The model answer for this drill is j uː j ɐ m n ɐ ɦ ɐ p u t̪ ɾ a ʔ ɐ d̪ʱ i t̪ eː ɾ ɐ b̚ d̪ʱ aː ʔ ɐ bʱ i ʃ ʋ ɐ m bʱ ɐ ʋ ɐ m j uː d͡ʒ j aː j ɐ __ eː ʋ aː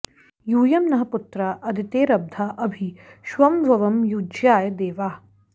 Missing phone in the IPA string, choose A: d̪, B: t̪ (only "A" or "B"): A